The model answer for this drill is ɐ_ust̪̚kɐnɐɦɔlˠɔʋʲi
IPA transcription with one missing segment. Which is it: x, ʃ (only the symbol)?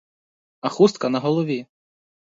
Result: x